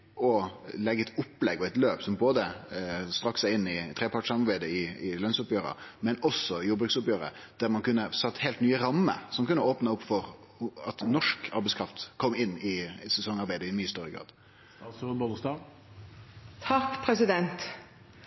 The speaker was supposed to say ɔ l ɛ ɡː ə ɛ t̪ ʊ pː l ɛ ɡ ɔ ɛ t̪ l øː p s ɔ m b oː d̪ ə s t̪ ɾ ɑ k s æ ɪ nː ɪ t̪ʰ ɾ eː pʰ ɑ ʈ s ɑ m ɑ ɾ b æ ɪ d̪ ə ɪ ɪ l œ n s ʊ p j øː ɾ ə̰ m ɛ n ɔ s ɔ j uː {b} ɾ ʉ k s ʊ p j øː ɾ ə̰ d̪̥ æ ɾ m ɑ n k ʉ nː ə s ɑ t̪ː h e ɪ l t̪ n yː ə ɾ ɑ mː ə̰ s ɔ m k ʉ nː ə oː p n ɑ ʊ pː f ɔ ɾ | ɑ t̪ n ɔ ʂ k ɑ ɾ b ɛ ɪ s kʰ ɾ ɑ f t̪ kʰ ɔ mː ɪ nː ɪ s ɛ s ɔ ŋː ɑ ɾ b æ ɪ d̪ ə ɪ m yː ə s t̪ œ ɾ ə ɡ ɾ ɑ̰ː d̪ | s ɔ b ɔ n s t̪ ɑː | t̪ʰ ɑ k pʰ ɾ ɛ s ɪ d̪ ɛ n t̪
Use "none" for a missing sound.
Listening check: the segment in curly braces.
b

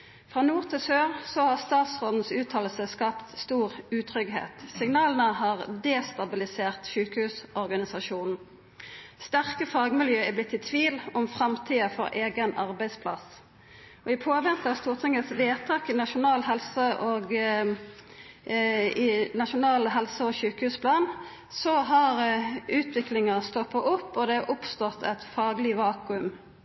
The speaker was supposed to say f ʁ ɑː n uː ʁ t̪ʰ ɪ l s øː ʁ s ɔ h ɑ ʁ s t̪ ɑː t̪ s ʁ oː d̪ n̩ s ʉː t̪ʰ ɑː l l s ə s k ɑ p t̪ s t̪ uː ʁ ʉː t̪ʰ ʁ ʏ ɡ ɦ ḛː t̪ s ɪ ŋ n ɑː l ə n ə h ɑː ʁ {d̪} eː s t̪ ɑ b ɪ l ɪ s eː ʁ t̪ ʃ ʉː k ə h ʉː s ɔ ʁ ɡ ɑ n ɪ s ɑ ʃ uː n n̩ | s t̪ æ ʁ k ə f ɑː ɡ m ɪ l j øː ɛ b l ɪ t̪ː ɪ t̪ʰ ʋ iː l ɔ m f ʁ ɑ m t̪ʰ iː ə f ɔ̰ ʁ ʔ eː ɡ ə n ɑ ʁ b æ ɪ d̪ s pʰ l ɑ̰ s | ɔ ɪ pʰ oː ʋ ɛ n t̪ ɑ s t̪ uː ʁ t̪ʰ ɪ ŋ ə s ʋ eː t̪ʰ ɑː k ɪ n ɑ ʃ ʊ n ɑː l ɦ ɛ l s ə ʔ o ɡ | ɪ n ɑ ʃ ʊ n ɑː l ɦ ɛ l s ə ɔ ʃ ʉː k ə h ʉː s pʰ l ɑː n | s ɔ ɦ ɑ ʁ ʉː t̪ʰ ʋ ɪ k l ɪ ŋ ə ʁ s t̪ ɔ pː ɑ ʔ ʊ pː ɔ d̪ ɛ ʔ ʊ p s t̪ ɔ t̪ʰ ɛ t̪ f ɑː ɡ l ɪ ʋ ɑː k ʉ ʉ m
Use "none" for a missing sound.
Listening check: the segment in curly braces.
d̪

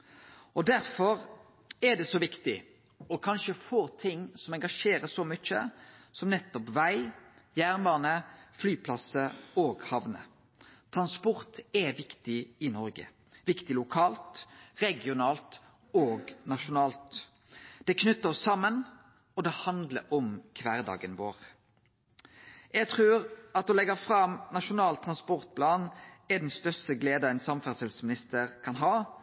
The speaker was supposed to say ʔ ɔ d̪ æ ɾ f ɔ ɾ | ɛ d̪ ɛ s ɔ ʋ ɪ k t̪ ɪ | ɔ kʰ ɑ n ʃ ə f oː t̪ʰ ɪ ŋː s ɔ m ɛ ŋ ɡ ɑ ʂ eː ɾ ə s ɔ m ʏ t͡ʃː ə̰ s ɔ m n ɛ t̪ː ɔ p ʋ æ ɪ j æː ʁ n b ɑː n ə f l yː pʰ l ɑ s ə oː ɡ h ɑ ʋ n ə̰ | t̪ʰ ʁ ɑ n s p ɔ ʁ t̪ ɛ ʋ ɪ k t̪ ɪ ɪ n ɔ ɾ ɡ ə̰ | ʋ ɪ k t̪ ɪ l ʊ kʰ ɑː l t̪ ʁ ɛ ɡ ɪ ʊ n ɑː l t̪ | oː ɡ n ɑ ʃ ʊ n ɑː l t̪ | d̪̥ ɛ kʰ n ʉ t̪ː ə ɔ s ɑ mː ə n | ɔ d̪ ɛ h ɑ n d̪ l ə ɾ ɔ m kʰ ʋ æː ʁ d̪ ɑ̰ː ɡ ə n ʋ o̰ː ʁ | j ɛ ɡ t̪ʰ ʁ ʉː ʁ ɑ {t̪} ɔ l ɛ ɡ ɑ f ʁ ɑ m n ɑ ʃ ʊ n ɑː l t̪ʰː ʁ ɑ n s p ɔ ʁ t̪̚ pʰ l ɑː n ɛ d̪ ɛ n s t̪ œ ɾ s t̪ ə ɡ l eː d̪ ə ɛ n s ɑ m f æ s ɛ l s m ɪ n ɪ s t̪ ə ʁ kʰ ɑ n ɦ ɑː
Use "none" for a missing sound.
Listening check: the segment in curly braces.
t̪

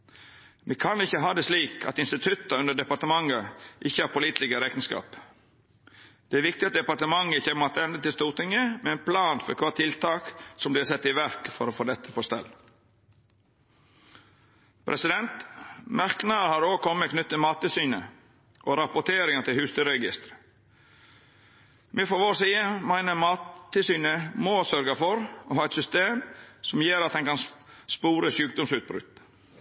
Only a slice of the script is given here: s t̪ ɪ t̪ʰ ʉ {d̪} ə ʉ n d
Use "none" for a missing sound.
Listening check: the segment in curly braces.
t̪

